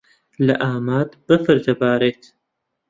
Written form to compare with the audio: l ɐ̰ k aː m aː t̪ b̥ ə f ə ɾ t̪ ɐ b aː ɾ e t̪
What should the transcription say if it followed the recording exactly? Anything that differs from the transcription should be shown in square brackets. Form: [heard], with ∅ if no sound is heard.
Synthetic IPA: l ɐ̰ [ʔ] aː m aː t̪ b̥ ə f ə ɾ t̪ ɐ b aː ɾ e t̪